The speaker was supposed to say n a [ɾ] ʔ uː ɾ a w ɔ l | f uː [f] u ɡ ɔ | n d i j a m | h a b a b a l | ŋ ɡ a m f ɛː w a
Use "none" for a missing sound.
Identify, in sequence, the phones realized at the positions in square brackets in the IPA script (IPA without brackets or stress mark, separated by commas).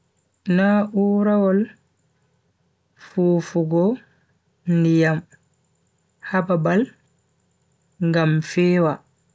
none, f